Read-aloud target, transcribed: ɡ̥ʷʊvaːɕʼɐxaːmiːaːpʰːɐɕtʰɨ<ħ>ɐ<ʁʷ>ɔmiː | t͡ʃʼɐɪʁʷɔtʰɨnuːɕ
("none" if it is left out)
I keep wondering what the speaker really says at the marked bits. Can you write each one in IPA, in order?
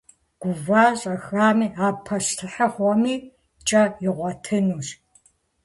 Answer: ħ, χʷ

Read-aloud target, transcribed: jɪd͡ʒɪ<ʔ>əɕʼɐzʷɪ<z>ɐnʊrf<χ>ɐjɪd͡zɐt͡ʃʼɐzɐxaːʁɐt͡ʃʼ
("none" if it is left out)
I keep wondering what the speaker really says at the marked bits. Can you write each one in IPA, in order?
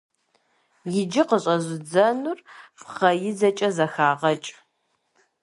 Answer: q, d͡z, χ

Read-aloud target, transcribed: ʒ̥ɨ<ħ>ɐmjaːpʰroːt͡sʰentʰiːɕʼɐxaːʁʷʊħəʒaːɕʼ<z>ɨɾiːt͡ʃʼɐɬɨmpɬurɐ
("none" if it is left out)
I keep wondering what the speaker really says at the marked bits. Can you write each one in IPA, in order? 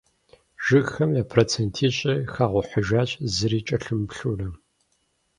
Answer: x, z

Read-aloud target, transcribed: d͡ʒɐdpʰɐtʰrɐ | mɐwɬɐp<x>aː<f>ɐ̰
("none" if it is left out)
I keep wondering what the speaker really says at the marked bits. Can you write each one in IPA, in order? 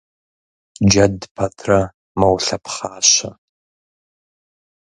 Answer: χ, ɕ

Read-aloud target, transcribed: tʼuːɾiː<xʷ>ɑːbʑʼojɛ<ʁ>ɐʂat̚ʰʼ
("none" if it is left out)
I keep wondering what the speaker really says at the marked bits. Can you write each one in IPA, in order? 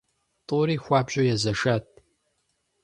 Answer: xʷ, z

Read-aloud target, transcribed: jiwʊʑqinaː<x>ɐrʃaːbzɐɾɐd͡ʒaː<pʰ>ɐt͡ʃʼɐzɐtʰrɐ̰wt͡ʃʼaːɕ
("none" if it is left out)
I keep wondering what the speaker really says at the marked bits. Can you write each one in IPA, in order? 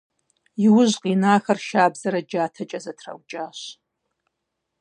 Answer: x, tʰ

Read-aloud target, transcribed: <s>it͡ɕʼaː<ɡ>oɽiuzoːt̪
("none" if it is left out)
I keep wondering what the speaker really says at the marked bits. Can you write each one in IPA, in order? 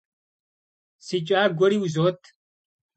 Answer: s, ɡ

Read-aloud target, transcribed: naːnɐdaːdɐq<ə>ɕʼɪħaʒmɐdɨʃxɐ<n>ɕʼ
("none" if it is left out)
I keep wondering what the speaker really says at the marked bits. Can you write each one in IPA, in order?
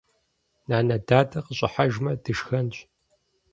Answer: ə, n

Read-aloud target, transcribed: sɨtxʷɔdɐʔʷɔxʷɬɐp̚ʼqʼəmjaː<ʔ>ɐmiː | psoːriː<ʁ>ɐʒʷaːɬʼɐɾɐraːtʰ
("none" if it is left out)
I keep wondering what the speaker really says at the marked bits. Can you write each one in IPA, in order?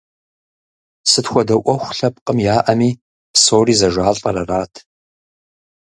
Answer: ʔ, z

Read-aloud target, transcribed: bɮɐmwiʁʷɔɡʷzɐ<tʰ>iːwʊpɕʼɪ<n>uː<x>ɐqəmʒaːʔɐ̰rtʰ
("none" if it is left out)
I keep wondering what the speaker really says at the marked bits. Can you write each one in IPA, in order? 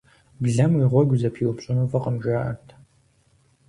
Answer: pʰ, n, f

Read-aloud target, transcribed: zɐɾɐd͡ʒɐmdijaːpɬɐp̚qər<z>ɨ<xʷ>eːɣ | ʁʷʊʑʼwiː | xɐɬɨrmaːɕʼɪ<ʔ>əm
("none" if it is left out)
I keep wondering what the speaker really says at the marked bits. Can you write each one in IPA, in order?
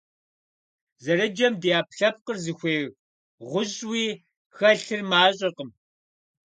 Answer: z, xʷ, q

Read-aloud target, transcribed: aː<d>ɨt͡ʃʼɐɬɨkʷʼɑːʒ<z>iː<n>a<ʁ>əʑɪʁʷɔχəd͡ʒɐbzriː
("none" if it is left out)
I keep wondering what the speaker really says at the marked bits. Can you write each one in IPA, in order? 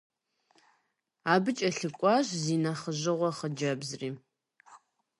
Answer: b, z, n, χ

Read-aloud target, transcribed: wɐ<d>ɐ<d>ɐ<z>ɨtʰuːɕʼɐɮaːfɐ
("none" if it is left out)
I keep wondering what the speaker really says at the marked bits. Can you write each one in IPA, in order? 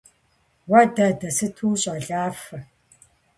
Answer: d, d, s

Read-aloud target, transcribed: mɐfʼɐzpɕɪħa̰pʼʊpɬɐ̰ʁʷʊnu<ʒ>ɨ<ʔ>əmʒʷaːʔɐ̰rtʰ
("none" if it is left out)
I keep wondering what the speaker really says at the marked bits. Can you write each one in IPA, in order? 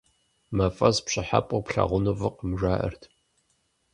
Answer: v, q

